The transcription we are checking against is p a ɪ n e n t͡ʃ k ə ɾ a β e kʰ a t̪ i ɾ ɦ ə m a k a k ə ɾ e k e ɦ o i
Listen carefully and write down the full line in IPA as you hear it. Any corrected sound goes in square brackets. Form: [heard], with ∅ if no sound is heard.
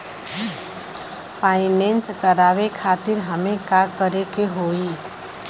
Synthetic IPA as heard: p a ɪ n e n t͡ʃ k ə ɾ a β e kʰ a t̪ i ɾ ɦ ə m [e] k a k ə ɾ e k e ɦ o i